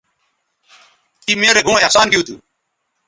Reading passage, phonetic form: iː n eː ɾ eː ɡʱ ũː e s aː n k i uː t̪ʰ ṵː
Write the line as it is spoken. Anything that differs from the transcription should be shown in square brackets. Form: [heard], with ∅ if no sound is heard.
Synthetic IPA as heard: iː [m] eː ɾ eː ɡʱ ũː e s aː n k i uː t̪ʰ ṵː